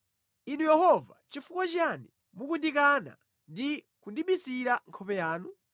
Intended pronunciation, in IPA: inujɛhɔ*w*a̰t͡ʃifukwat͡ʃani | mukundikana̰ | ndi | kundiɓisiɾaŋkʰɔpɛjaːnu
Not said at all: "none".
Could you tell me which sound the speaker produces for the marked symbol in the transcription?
v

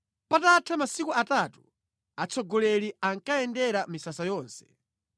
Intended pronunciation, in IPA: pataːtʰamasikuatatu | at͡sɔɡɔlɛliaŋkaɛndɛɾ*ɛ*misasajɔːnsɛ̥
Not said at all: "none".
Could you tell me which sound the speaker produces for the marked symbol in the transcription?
a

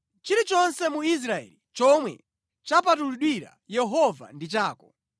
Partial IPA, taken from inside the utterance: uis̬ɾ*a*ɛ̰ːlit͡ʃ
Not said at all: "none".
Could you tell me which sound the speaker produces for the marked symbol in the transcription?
a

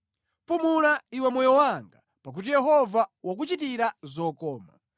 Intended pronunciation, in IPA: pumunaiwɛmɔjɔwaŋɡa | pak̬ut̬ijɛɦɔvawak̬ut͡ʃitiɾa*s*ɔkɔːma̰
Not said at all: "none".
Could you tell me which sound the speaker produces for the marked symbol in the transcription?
z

